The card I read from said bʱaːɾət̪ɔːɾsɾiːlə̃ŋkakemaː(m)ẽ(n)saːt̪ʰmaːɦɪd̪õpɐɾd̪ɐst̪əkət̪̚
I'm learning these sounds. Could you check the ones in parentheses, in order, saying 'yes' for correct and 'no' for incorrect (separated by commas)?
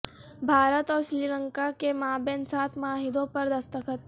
no, yes